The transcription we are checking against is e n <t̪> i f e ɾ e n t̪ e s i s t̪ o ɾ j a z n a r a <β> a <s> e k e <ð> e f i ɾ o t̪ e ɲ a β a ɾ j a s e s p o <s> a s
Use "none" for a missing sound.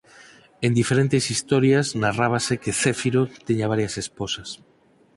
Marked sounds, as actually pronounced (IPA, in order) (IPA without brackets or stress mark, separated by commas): d̪, β, s, θ, s